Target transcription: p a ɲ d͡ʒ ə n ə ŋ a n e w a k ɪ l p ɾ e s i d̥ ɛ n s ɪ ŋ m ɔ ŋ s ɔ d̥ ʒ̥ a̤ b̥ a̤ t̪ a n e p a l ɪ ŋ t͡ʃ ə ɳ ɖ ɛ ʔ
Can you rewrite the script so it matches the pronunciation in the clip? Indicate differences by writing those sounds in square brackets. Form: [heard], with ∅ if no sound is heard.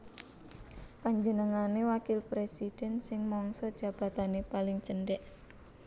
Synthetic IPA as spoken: p a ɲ d͡ʒ ə n ə ŋ a n e w a k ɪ l p ɾ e s i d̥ ɛ n s ɪ ŋ m ɔ ŋ s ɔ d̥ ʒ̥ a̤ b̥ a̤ t̪ a n e p a l ɪ ŋ t͡ʃ ə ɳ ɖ ɛ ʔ